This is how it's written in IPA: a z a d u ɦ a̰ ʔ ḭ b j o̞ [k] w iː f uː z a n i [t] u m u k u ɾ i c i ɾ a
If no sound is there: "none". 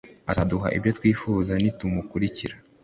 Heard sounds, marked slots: t, t

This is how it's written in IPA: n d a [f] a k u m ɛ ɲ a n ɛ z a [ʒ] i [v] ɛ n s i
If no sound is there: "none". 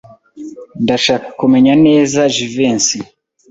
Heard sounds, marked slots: ʃ, ʒ, v

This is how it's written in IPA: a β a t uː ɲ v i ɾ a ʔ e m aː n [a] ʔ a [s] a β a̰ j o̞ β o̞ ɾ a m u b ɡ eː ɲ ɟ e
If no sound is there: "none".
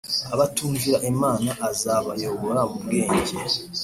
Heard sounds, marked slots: a, z

